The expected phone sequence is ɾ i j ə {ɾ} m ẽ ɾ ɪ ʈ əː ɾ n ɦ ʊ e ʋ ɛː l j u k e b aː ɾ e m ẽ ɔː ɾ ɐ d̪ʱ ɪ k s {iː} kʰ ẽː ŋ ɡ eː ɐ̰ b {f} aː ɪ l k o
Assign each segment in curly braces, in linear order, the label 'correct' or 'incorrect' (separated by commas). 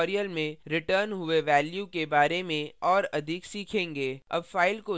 incorrect, correct, correct